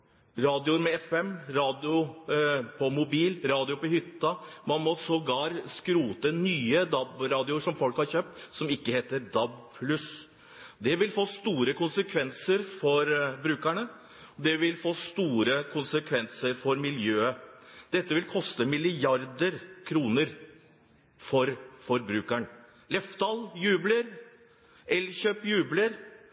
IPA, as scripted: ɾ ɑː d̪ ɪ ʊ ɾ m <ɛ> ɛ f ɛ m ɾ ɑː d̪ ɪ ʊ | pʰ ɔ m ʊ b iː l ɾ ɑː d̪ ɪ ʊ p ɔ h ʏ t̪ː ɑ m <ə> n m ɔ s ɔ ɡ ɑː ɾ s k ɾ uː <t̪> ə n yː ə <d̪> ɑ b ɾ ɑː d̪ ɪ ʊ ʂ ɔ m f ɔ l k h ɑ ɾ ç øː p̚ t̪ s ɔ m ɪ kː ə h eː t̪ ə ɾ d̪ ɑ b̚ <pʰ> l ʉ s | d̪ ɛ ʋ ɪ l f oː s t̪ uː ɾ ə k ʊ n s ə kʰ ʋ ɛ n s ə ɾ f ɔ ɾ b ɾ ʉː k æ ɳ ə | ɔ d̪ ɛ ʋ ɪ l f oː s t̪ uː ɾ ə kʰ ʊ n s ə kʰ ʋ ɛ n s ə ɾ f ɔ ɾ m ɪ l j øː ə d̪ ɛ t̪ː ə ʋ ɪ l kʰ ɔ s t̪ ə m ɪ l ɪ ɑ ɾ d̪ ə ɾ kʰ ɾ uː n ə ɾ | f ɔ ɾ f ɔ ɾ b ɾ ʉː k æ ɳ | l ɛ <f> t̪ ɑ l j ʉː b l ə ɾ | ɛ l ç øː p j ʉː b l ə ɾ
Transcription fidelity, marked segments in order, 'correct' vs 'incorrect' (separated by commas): correct, incorrect, correct, correct, correct, correct